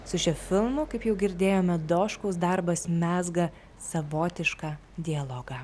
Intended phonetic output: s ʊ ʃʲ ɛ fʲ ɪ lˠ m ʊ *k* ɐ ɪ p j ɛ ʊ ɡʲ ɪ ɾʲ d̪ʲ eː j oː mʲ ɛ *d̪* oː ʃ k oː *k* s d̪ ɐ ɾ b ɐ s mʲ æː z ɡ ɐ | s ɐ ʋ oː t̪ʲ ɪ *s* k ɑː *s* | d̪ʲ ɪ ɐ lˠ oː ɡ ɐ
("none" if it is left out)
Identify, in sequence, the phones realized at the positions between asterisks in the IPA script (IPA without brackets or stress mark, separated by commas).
k, d̪, none, ʃ, none